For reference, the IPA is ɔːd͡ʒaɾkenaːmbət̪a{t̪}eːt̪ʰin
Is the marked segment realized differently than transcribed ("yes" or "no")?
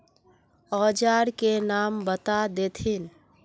yes